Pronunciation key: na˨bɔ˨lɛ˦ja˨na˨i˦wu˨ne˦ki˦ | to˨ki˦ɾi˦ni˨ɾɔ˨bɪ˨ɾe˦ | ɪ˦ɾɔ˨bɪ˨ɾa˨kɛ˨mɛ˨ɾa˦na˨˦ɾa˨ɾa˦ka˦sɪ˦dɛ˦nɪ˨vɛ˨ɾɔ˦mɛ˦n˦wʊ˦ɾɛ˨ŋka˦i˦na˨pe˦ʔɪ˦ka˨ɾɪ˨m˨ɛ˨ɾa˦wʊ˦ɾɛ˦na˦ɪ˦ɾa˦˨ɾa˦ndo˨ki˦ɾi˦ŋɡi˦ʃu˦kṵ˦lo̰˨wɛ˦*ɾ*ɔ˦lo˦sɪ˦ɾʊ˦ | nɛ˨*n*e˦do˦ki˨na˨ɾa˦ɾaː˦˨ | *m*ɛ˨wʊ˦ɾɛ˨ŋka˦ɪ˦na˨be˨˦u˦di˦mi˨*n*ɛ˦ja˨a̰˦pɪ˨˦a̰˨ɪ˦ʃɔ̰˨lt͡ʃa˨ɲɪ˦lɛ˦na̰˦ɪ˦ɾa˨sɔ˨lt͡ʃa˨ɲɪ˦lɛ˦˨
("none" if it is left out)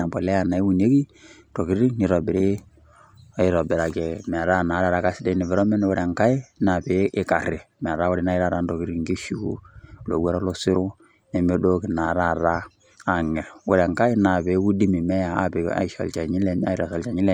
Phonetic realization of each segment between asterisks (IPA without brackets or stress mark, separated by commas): ɾ, m, ŋ, m